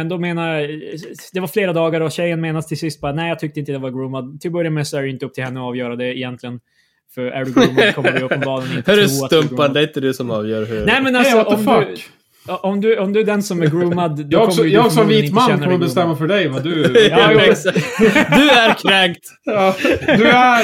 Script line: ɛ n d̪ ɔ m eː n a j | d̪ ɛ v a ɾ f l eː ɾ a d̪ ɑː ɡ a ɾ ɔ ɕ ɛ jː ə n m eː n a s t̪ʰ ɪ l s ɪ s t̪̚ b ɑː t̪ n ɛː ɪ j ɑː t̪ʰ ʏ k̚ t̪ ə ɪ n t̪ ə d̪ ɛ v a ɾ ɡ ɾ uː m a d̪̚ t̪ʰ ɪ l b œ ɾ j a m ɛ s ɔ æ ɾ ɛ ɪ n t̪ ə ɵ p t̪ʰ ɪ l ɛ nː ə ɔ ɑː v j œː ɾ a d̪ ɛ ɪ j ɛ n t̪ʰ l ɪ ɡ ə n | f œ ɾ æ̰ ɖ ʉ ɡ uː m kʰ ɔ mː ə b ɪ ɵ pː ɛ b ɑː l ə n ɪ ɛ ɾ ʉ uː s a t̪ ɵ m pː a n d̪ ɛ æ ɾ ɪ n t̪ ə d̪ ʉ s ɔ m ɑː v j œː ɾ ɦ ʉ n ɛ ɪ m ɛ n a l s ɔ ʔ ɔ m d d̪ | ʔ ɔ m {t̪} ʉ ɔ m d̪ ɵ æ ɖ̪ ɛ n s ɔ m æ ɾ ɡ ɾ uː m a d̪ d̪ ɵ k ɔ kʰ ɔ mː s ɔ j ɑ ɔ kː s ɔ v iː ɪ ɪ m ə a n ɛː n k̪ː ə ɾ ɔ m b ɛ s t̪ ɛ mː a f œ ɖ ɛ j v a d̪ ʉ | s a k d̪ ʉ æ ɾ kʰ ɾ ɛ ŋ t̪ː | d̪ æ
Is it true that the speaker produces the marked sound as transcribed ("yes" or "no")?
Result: no